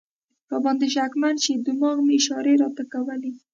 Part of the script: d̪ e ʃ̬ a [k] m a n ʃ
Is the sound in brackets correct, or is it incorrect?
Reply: correct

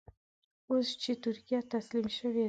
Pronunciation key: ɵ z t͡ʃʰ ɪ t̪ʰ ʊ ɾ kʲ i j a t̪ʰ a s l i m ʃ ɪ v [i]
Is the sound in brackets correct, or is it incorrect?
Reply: incorrect: e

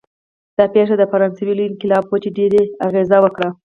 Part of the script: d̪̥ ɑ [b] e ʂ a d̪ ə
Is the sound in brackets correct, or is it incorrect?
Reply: incorrect: p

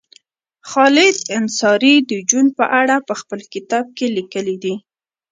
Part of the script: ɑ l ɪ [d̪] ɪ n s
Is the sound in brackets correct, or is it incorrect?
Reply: correct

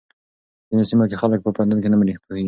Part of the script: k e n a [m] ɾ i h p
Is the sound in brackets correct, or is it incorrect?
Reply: correct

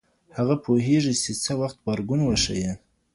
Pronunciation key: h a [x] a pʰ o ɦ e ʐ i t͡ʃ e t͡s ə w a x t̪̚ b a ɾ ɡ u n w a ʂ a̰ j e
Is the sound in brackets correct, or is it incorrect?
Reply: incorrect: ɣ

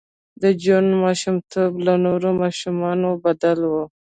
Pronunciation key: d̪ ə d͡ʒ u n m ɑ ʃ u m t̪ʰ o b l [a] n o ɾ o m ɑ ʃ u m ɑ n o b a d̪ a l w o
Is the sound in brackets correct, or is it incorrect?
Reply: correct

